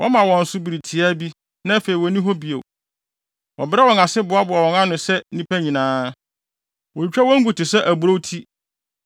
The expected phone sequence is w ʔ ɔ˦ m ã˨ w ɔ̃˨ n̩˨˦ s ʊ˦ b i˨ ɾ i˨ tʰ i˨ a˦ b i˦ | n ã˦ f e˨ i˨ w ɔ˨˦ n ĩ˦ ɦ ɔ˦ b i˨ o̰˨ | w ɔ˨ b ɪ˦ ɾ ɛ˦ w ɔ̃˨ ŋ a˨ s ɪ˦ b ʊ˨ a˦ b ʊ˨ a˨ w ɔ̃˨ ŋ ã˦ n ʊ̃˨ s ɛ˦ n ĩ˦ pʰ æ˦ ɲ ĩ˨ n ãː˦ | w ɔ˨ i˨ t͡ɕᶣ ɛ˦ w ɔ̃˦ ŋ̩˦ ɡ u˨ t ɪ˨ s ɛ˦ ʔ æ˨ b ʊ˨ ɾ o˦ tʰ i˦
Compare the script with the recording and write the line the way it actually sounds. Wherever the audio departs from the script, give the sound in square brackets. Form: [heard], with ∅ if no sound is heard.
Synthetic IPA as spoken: w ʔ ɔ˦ m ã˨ w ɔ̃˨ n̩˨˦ s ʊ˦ b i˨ ɾ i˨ tʰ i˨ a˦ b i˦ | n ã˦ f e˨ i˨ w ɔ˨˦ n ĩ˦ ɦ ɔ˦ b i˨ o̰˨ | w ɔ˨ b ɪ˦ ɾ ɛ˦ w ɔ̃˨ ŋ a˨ s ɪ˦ b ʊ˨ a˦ b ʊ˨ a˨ w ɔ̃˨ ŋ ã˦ n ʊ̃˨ s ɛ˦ n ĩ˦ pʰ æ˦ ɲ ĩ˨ n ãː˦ | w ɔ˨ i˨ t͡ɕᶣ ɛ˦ w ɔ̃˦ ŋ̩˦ ɡ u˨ t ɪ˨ s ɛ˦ ʔ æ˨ b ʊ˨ ɾ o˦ tʰ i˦